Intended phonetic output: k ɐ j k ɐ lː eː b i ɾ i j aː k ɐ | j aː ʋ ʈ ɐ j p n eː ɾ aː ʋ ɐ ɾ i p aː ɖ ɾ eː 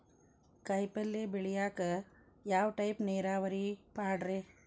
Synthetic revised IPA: k ɐ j p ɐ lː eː b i ɭ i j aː k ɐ | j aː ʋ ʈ ɐ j p n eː ɾ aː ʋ ɐ ɾ i p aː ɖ ɾ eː